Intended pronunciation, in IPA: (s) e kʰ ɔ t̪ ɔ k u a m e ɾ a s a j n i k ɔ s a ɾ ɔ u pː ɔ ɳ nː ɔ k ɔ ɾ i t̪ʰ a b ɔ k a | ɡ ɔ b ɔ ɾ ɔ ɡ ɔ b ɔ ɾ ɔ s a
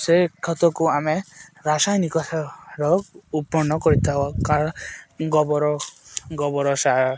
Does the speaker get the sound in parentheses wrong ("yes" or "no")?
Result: no